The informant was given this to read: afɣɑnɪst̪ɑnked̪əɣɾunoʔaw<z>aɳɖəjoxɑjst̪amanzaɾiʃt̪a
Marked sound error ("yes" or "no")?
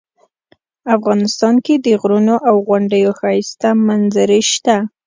yes